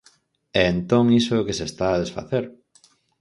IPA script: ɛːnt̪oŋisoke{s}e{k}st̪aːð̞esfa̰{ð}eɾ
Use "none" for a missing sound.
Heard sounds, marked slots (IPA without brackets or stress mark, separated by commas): s, none, θ